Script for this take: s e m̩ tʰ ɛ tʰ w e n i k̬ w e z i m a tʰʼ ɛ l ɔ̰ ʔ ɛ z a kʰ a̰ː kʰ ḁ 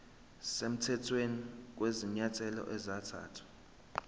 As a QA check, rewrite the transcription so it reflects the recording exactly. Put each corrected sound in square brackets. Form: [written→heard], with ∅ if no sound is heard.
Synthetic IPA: s e m̩ tʰ ɛ tʰ w e n i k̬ w e z i [m→ɲ] a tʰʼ ɛ l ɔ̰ ʔ ɛ z a [kʰ→tʰ] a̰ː [kʰ→tʰ] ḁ